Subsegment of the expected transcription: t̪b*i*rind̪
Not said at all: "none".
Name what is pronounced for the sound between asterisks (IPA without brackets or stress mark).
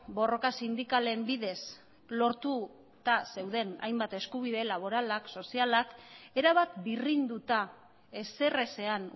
i